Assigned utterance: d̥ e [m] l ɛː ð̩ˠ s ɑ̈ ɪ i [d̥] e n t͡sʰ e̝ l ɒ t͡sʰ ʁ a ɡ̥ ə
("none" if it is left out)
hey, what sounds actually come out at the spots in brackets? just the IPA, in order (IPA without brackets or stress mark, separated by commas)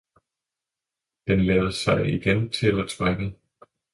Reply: n, ɡ̥